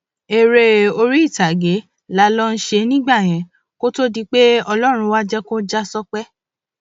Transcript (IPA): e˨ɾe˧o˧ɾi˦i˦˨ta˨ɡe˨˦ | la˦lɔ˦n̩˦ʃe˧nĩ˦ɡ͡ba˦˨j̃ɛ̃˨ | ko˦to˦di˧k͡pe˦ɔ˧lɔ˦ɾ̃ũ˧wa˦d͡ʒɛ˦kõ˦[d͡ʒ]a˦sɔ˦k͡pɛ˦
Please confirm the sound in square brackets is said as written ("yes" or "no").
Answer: yes